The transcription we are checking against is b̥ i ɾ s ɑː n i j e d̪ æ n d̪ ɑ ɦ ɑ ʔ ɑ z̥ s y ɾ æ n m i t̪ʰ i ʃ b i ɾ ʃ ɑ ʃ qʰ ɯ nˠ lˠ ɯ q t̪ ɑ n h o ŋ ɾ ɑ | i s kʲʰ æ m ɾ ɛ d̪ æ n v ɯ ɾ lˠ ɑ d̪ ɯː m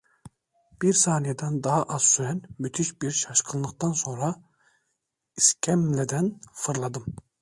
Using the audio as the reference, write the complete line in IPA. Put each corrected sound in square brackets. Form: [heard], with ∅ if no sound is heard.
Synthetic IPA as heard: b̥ i ɾ s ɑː n i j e d̪ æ n d̪ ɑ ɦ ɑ ʔ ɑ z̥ s y ɾ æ n m [y] t̪ʰ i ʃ b i ɾ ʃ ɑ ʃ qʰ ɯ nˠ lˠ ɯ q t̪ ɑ n [s] o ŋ ɾ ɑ | i s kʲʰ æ m [l] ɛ d̪ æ n [f] ɯ ɾ lˠ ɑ d̪ [ɯ] m